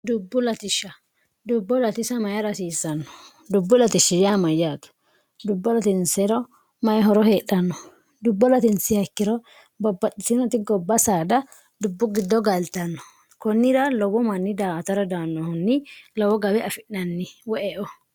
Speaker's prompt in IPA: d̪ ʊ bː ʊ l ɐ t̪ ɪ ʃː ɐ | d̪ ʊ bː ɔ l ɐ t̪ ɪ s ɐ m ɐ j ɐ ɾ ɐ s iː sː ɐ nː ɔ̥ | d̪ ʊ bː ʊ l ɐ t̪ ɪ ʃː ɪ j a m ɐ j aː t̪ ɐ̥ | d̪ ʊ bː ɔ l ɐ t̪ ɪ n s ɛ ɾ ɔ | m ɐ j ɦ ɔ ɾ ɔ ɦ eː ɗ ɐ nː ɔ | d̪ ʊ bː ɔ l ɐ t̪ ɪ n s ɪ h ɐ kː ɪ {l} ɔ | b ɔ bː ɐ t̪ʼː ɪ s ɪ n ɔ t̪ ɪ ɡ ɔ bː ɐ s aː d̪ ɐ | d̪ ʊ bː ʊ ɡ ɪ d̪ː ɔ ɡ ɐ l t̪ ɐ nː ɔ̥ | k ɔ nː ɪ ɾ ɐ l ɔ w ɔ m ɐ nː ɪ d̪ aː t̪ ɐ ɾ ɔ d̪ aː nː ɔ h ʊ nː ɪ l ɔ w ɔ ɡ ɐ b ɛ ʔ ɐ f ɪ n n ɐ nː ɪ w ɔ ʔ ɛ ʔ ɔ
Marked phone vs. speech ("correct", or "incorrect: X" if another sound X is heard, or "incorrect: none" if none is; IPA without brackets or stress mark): incorrect: ɾ